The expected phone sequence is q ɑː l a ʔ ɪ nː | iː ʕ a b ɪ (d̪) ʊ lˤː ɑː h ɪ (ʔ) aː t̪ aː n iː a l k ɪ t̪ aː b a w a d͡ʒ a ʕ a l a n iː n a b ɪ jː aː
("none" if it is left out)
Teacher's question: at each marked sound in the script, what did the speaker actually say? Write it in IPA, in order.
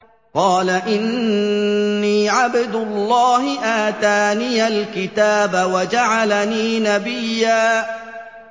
d̪, ʔ

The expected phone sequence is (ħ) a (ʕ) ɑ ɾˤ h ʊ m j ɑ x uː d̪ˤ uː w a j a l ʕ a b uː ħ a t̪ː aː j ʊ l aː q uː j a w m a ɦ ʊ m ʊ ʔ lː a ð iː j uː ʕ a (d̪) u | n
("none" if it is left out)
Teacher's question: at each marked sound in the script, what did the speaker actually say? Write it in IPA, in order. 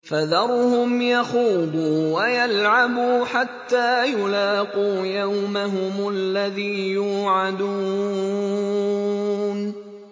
f, ð, d̪

